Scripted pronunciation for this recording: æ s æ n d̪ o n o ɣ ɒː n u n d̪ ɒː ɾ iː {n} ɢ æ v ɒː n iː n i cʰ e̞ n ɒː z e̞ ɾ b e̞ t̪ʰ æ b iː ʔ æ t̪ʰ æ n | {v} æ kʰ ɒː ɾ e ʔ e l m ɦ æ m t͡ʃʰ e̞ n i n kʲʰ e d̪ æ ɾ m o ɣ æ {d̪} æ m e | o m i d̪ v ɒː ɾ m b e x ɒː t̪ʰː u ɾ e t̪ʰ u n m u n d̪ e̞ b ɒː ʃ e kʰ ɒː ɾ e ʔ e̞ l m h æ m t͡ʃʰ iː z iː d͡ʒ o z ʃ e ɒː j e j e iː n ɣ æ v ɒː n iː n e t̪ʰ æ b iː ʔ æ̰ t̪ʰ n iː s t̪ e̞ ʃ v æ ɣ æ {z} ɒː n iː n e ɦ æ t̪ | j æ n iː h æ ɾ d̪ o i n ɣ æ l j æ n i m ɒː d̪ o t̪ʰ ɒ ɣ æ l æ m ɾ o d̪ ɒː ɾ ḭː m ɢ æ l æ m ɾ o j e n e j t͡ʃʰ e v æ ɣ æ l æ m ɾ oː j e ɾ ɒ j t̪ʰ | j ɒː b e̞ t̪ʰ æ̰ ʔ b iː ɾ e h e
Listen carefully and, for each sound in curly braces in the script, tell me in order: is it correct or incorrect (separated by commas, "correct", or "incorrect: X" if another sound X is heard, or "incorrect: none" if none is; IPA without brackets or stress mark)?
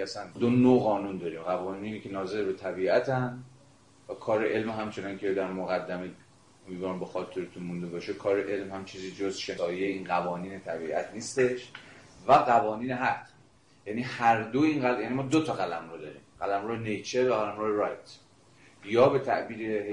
incorrect: m, correct, incorrect: d̪ː, incorrect: v